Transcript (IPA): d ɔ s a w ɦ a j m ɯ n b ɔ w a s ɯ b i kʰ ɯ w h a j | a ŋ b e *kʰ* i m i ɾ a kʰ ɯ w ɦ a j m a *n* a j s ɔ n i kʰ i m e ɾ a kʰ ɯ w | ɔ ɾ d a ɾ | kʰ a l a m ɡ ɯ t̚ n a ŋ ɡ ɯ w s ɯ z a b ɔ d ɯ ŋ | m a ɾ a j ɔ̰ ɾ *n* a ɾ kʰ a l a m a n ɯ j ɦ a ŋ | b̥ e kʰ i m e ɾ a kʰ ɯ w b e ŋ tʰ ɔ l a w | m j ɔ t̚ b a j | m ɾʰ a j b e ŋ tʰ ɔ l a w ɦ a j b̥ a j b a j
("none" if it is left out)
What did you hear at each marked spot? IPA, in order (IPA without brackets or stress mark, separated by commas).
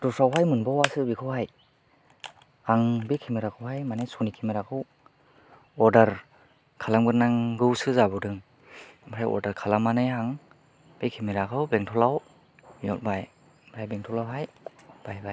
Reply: kʰ, n, d